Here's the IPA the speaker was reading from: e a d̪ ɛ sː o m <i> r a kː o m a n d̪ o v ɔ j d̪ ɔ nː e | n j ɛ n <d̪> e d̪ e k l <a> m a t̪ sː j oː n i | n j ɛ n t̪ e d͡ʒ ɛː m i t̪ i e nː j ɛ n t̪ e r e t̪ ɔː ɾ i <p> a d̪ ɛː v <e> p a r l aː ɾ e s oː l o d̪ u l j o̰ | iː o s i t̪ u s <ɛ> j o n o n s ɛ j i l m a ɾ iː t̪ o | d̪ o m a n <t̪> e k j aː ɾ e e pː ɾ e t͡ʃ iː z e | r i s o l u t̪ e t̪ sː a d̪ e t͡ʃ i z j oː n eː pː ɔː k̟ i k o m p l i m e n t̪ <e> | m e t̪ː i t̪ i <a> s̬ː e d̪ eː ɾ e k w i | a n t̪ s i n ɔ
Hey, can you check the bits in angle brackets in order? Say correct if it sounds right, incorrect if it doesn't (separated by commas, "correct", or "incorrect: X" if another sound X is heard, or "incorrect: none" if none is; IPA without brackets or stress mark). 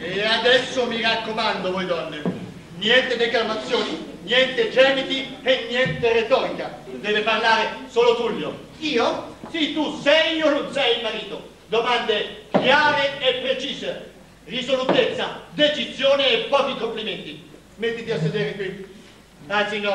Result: correct, incorrect: t̪, correct, incorrect: k, correct, correct, incorrect: d̪, incorrect: i, correct